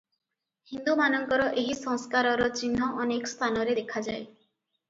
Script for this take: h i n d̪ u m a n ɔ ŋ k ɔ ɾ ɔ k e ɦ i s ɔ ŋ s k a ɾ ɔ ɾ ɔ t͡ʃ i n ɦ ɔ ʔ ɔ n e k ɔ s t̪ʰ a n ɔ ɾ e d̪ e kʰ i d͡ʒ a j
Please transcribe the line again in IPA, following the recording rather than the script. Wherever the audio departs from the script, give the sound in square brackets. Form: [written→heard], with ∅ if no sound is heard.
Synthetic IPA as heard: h i n d̪ u m a n ɔ ŋ k ɔ ɾ ɔ [k→ʔ] e ɦ i s ɔ ŋ s k a ɾ ɔ ɾ ɔ t͡ʃ i n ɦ ɔ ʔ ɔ n e k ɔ s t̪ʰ a n ɔ ɾ e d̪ e kʰ [i→a] d͡ʒ a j